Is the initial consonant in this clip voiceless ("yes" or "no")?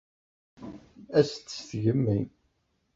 yes